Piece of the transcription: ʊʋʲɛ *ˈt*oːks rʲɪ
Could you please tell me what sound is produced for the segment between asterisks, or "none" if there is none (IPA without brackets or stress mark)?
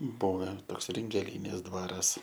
t